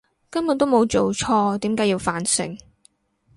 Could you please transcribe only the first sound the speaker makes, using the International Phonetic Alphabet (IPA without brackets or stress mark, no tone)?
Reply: k